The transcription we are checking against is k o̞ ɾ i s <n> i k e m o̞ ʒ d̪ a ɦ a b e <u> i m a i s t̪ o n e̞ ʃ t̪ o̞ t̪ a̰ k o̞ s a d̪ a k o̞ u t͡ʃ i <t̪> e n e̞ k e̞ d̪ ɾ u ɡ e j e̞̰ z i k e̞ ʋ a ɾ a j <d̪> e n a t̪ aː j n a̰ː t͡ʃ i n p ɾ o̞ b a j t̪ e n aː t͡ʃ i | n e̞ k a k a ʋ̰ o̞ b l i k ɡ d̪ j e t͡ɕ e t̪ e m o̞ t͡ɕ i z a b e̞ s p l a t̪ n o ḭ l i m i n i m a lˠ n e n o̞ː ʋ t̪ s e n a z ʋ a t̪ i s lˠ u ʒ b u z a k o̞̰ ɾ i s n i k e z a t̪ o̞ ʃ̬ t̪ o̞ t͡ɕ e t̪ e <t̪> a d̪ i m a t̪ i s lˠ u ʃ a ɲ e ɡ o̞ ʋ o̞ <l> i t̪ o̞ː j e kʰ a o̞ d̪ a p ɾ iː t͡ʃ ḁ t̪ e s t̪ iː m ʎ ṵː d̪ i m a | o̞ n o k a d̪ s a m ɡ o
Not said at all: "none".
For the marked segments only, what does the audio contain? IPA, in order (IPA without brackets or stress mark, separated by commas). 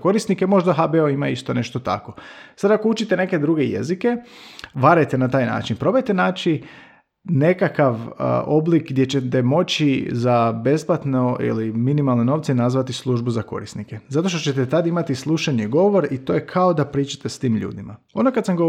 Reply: n, o, t̪, t̪, t̪, ɾ